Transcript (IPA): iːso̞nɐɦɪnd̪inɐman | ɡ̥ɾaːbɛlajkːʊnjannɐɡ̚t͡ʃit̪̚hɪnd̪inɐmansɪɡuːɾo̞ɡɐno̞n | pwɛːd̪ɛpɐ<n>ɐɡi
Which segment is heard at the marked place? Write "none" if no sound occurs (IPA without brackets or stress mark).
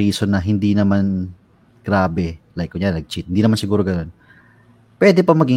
m